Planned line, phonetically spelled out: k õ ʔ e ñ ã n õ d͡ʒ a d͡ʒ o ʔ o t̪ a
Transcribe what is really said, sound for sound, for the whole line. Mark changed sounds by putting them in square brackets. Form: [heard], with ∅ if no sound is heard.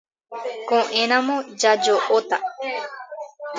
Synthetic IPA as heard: k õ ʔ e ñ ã [m] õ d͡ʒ a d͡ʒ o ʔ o t̪ a